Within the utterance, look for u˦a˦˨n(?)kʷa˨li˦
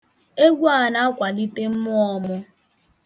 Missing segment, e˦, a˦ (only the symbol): a˦